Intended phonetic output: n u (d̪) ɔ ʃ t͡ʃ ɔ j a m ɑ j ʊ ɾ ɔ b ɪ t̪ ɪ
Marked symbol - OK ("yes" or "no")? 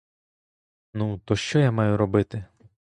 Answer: no